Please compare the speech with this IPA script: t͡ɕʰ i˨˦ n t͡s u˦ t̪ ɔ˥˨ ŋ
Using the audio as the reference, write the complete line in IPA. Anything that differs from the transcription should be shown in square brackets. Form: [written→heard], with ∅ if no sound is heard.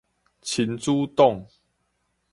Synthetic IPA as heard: t͡ɕʰ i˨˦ n t͡s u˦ t̪ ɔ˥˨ ŋ